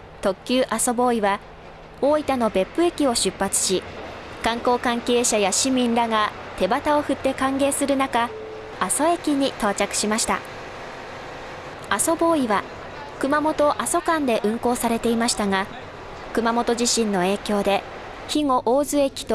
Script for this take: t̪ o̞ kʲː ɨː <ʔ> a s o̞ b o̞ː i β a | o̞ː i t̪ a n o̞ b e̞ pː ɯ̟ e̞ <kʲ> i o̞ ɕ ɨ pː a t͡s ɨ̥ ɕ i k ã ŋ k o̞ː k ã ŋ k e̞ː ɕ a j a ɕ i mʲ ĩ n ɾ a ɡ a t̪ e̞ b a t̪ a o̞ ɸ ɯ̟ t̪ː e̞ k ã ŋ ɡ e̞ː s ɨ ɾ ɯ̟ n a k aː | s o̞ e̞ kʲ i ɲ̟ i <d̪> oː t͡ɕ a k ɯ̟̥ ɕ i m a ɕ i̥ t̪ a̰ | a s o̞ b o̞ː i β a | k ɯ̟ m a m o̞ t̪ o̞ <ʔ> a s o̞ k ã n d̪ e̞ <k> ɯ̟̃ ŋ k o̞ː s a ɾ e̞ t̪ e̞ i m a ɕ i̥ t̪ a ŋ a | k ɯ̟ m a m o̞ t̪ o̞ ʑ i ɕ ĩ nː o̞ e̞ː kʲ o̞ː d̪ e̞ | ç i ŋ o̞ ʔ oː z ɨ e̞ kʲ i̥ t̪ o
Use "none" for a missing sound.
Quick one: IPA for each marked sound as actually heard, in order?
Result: ʔ, kʲ, t̪, ʔ, ʔ

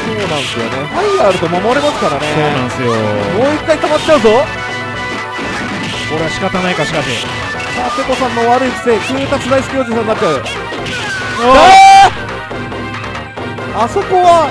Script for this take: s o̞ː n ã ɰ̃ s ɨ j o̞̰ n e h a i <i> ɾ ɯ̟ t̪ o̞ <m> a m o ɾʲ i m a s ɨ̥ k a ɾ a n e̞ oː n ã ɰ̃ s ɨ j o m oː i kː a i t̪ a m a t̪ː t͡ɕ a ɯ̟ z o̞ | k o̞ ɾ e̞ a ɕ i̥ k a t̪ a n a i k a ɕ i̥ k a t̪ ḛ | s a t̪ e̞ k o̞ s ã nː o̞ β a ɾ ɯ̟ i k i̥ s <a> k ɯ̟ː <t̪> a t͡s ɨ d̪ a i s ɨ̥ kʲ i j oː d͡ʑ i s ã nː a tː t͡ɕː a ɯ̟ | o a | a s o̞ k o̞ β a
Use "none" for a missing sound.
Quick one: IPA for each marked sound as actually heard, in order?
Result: a, m, e, t̪

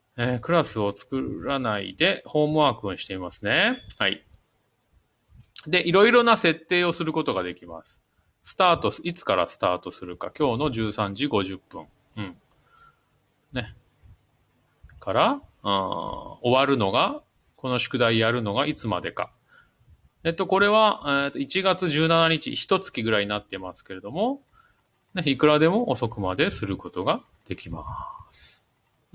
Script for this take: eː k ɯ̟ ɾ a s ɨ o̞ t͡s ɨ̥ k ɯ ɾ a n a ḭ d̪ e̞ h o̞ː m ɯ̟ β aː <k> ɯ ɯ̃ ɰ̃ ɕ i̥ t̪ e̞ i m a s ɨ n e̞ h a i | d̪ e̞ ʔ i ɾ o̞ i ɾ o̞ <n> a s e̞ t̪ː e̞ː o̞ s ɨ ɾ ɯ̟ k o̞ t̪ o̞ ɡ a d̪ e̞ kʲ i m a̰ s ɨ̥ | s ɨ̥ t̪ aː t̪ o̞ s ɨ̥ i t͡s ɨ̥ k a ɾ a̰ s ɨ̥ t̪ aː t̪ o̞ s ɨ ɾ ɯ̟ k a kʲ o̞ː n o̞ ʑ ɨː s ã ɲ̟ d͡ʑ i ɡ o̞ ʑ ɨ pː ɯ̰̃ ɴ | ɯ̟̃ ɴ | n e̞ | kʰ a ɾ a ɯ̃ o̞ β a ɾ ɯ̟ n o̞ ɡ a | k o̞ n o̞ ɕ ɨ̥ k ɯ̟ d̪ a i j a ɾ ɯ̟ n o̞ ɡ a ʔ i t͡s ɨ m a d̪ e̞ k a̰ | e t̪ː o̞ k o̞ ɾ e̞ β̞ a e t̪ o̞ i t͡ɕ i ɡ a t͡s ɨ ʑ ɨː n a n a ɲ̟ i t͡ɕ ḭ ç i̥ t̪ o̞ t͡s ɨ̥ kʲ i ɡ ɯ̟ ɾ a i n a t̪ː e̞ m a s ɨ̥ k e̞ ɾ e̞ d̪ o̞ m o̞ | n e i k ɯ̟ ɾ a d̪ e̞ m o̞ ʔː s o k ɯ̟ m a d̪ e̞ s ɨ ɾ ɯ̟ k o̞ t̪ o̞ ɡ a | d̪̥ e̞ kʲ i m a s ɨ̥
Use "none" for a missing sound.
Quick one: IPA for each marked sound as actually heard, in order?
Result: k, n

